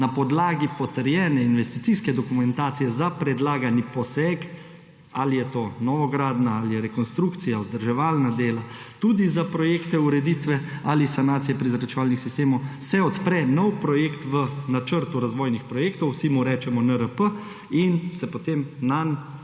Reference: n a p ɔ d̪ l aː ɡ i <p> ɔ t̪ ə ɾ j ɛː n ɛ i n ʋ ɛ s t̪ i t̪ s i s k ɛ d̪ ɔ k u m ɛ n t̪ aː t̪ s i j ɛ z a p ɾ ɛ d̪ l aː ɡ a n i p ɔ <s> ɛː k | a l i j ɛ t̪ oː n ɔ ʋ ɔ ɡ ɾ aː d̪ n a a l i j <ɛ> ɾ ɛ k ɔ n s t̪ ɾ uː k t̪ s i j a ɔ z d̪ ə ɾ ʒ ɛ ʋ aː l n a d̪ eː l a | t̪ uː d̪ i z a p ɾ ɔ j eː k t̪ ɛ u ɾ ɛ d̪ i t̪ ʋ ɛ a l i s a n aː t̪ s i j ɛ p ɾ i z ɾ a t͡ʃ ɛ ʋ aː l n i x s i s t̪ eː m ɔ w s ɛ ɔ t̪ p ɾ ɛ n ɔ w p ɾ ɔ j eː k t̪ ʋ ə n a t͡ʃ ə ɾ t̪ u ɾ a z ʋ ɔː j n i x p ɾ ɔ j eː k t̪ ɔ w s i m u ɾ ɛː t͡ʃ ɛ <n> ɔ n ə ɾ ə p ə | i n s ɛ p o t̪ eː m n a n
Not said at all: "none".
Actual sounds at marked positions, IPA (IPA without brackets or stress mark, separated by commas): p, s, ɛ, m